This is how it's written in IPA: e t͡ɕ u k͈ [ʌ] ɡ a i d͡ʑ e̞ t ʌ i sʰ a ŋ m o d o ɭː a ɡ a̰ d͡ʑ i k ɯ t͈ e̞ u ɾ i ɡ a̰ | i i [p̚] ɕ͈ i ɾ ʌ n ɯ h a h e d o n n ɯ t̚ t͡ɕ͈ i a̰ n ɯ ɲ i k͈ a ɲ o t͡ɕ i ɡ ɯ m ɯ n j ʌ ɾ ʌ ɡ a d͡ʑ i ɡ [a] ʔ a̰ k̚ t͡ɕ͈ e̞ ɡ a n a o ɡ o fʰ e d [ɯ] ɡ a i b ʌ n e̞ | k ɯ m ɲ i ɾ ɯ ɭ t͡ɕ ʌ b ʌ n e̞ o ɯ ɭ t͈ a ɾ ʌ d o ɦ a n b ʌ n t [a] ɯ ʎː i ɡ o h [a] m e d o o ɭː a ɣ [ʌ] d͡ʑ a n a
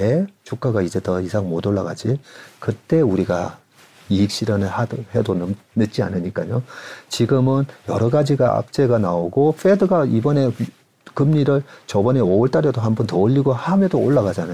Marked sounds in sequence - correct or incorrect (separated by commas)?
incorrect, incorrect, correct, correct, incorrect, correct, incorrect